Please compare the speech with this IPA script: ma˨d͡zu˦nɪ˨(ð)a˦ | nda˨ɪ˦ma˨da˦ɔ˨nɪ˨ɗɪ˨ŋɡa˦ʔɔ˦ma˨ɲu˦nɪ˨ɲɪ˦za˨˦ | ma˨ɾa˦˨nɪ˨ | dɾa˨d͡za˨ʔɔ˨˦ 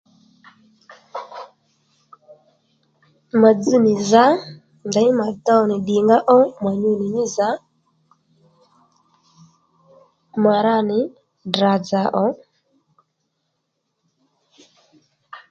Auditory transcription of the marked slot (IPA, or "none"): z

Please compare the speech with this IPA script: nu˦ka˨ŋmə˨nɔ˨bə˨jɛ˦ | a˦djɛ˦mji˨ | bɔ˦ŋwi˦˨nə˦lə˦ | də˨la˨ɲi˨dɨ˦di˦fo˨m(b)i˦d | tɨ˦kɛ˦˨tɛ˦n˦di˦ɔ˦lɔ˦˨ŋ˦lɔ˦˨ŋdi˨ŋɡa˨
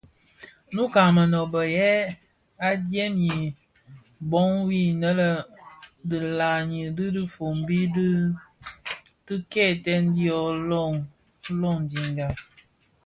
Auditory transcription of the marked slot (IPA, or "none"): b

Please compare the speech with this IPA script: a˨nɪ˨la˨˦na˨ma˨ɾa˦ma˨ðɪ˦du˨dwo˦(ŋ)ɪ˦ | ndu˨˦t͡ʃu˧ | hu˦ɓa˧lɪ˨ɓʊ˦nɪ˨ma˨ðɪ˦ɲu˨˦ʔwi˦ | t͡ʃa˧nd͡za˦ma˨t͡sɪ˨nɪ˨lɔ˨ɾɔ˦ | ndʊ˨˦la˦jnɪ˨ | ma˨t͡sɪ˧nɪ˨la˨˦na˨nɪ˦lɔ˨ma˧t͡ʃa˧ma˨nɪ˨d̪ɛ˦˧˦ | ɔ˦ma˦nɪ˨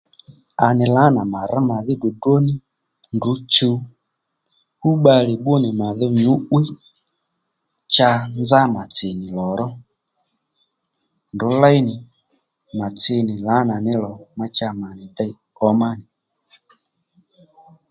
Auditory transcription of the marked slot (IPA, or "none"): n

